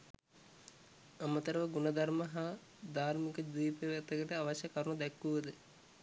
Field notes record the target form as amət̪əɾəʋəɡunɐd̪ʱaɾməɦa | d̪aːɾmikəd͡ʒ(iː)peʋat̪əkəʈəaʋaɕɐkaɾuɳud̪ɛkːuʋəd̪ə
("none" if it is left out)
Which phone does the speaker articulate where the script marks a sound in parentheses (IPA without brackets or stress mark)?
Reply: iː